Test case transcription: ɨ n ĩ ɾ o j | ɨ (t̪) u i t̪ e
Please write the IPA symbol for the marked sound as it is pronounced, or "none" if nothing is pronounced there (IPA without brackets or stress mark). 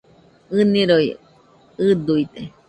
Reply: d̪